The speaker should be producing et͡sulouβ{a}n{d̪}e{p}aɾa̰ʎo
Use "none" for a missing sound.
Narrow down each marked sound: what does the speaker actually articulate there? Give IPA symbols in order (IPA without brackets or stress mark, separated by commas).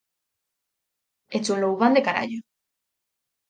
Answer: a, d̪, k